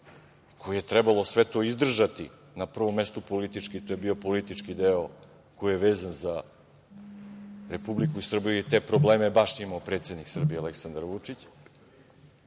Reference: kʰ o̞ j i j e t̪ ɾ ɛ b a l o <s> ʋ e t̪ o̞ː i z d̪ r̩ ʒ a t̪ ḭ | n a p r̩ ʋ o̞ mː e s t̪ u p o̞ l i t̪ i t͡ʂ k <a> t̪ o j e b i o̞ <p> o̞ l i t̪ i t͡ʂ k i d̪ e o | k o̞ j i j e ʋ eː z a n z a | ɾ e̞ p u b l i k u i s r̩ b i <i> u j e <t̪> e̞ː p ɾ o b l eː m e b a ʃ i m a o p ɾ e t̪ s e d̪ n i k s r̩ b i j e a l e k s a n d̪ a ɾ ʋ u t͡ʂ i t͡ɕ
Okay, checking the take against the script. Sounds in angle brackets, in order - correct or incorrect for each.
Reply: correct, incorrect, correct, incorrect, correct

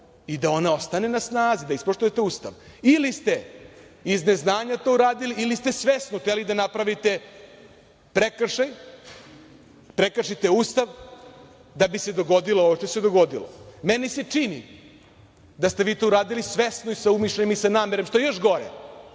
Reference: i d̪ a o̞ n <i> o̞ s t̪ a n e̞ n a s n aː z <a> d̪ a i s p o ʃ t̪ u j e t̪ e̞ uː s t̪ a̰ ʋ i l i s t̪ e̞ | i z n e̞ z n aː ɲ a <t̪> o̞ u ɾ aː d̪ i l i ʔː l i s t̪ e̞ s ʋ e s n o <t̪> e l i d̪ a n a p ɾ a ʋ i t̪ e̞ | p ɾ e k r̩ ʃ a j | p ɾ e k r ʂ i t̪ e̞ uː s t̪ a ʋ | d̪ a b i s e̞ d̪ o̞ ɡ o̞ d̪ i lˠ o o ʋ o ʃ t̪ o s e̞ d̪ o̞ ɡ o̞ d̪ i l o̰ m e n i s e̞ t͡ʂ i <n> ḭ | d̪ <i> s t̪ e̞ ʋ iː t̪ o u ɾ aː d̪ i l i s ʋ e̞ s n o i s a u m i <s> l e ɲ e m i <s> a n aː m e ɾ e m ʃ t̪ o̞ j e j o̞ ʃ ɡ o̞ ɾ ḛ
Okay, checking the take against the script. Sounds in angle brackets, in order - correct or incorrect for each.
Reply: incorrect, incorrect, correct, correct, correct, incorrect, incorrect, correct

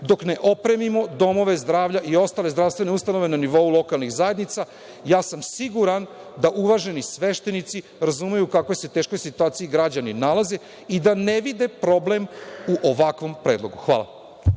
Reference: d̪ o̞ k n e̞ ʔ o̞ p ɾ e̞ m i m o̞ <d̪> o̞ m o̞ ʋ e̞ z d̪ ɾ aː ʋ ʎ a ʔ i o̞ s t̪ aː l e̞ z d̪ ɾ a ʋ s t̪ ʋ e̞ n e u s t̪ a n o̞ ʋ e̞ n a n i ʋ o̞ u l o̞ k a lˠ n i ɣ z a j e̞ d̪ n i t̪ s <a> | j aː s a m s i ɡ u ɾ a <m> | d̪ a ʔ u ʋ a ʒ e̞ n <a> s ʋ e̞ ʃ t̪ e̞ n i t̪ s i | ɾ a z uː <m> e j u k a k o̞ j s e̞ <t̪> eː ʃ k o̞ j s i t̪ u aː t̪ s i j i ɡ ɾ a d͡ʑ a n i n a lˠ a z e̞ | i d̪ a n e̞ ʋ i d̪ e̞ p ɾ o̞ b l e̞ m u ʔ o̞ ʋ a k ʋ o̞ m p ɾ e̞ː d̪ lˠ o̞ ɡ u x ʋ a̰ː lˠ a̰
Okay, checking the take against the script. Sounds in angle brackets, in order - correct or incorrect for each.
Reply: correct, correct, incorrect, incorrect, correct, correct

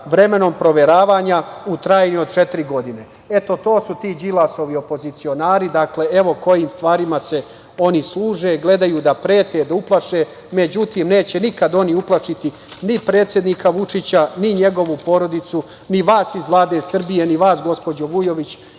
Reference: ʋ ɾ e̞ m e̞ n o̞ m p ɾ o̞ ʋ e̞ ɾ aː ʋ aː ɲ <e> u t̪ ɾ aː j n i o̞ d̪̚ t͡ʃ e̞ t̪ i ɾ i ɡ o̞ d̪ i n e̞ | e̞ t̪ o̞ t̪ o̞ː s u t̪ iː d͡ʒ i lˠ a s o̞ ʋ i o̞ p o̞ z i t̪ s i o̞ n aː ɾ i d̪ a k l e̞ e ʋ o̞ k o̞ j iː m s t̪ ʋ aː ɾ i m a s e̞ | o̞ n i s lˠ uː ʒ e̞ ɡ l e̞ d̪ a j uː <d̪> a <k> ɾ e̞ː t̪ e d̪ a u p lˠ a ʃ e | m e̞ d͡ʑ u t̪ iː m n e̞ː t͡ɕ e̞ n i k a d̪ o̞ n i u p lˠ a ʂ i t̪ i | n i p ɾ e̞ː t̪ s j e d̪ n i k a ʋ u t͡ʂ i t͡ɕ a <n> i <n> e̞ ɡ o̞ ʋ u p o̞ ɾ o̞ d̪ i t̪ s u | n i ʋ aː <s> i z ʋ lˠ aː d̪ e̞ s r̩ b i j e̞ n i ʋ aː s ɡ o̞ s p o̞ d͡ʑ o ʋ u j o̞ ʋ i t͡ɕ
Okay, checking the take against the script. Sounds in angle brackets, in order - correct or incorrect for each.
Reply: incorrect, correct, incorrect, correct, incorrect, correct

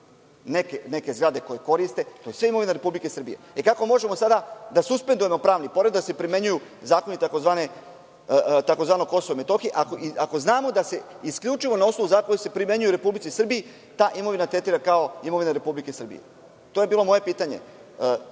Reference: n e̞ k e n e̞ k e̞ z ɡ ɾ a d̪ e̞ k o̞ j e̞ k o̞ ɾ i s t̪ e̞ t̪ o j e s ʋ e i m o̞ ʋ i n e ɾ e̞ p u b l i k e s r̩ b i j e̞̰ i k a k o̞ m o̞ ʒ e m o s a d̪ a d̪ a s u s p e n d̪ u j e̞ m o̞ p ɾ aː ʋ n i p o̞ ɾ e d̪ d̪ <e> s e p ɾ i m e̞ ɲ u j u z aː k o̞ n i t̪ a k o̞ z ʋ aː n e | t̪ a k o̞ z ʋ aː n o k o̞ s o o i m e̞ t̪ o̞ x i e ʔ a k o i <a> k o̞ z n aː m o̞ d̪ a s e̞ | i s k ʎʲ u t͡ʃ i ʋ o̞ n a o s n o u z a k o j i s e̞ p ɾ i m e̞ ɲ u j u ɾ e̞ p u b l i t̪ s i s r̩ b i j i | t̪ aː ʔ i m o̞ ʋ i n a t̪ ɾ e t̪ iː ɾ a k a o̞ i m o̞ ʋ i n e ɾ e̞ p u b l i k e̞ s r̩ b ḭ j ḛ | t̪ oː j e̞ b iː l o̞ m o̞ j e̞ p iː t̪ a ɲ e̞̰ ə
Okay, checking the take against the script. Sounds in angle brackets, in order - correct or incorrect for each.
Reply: incorrect, correct

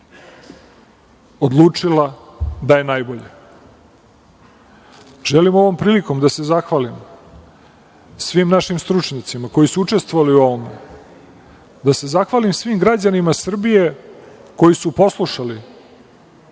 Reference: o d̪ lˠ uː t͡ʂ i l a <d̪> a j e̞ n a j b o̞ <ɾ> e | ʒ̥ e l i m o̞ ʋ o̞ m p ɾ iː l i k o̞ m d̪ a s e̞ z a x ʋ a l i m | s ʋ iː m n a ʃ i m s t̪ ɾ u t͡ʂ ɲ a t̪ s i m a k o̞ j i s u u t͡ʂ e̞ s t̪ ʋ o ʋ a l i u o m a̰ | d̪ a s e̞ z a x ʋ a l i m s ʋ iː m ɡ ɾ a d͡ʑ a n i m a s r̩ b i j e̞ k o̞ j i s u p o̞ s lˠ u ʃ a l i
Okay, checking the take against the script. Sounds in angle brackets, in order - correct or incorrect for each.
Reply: correct, incorrect

